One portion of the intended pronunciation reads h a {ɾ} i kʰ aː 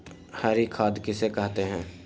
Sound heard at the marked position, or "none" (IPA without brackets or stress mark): ɾ